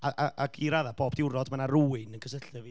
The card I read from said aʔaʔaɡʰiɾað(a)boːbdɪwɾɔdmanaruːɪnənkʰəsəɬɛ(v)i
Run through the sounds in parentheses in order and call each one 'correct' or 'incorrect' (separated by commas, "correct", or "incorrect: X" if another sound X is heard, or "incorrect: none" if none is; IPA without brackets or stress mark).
correct, correct